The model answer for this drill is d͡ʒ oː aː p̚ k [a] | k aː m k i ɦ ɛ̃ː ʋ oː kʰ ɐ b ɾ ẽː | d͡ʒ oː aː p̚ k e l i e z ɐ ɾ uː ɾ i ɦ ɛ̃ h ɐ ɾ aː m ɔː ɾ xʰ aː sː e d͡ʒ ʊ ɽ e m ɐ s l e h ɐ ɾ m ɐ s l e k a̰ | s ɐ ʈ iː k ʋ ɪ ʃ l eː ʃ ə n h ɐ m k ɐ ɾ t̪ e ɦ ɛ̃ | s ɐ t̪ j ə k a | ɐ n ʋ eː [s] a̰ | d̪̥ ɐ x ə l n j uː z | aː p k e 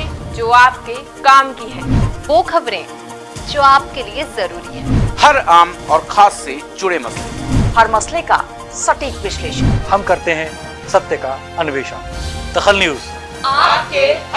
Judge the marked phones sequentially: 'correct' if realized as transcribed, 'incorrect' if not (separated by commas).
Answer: incorrect, incorrect